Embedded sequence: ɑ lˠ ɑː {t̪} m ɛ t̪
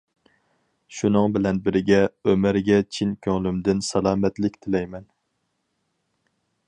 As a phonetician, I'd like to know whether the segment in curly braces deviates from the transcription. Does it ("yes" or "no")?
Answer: yes